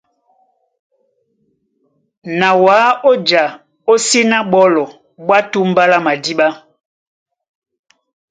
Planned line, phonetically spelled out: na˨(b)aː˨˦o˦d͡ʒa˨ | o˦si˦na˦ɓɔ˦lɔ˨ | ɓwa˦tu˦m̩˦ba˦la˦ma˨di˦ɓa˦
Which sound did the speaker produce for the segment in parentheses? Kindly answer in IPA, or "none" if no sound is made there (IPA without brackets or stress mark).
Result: w